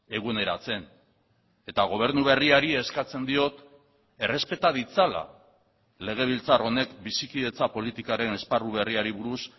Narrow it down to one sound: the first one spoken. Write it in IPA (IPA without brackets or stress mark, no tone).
e̞